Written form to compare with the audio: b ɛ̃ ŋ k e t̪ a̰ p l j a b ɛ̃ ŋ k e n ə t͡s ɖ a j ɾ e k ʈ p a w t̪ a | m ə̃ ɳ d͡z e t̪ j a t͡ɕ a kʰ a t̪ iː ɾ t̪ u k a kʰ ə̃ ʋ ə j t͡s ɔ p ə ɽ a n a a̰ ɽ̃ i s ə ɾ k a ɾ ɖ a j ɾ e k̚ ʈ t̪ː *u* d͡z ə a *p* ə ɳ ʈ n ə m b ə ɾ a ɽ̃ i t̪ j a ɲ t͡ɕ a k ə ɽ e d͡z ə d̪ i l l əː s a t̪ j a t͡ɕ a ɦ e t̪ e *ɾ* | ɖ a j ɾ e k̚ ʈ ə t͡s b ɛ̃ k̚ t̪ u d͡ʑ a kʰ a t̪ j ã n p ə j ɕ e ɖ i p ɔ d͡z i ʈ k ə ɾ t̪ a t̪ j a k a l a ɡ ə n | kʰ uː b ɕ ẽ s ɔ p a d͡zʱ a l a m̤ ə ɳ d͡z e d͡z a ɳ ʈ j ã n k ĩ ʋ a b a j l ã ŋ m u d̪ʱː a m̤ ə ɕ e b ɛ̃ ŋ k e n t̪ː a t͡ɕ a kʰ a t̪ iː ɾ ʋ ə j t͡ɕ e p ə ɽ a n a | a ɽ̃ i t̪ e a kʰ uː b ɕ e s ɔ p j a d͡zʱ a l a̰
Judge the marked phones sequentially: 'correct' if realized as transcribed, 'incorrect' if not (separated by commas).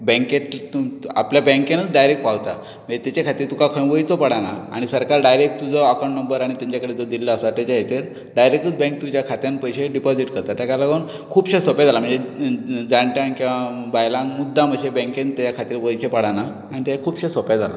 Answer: correct, incorrect, correct